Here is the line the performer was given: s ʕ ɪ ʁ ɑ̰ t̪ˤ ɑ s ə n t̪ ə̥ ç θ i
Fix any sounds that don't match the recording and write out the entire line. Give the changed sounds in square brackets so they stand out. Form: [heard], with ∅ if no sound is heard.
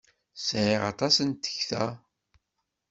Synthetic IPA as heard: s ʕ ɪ ʁ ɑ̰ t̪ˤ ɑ s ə n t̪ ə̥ ç θ [æ]